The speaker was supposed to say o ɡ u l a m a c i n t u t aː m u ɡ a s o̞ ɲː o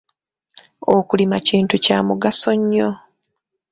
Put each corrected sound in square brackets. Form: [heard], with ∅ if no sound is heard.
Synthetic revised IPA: o [k] u l [i] m a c [iː] n t u [c] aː m u ɡ a s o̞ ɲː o